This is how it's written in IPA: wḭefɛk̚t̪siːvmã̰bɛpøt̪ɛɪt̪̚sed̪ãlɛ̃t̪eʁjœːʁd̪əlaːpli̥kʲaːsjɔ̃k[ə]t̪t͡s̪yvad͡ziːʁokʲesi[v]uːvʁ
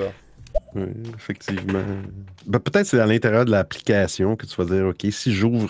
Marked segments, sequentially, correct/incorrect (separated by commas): correct, incorrect